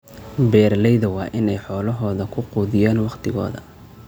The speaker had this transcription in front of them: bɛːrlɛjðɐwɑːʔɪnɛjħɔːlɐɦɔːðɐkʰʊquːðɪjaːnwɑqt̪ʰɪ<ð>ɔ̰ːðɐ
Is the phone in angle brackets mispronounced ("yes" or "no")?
yes